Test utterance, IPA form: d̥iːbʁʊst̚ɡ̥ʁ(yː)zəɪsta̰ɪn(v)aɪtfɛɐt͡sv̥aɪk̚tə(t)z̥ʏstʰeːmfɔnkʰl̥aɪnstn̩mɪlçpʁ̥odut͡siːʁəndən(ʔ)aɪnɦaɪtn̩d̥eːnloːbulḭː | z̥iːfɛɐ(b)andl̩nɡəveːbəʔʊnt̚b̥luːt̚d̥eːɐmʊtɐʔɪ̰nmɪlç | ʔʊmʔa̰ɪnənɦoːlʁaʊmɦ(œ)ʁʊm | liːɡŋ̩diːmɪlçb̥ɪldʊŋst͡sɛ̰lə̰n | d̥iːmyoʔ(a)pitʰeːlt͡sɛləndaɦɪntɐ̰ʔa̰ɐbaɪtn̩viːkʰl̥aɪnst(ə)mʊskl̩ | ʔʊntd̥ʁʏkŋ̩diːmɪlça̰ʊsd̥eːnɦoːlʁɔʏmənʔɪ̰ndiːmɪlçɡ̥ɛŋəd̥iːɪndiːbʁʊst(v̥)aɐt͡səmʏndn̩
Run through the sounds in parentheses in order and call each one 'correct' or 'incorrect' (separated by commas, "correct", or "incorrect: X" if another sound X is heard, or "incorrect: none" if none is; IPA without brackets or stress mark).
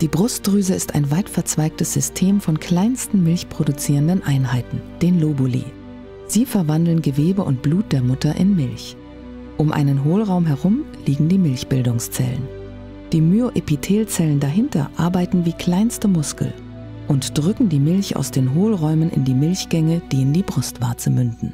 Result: correct, correct, incorrect: s, correct, incorrect: v, incorrect: ɛ, incorrect: e, correct, correct